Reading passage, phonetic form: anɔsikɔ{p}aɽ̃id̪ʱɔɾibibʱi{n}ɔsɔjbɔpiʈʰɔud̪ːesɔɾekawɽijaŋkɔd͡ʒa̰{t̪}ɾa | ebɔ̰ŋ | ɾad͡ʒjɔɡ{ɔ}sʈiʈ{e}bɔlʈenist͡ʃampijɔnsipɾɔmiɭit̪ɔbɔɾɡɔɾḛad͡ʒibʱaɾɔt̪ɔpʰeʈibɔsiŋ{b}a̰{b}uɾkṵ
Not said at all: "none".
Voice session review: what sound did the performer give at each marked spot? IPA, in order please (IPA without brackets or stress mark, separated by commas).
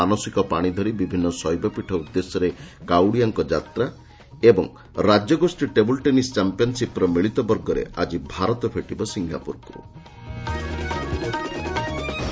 p, nː, t̪, o, e, ɡ, p